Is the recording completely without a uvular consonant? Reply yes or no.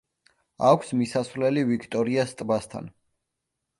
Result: yes